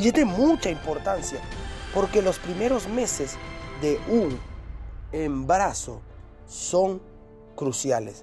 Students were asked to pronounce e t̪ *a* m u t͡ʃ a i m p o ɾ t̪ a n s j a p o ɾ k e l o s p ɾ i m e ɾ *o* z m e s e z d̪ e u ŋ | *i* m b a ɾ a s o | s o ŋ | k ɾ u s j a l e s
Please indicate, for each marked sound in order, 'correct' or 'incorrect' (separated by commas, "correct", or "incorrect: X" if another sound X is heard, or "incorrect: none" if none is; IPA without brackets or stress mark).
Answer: incorrect: e, correct, incorrect: e